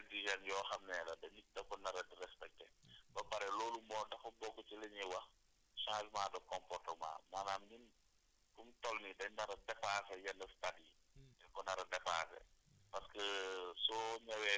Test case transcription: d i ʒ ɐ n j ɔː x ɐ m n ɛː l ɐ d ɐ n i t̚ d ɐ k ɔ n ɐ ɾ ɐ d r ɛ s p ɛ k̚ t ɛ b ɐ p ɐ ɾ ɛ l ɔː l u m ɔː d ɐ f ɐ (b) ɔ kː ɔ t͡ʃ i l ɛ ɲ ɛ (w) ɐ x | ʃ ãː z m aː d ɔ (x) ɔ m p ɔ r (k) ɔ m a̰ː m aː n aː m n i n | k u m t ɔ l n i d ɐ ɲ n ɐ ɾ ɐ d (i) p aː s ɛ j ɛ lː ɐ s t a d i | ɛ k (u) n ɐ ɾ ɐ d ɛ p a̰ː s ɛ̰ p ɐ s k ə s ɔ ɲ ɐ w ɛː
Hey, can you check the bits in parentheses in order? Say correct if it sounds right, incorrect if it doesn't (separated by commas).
correct, correct, incorrect, incorrect, incorrect, incorrect